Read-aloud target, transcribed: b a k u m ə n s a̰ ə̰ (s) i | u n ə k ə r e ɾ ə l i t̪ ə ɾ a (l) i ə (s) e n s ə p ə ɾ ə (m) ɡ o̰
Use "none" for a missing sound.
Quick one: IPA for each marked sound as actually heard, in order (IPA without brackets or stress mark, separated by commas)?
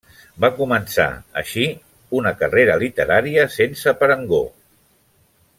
ʃ, ɾ, s, ŋ